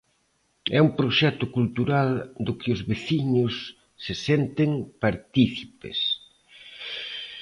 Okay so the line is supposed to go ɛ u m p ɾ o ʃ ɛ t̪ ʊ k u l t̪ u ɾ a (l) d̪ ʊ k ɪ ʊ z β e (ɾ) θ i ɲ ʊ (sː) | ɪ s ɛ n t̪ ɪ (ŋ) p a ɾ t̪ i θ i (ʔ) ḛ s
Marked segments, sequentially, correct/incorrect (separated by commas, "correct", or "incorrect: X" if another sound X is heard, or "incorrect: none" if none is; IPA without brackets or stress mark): correct, incorrect: none, correct, correct, incorrect: p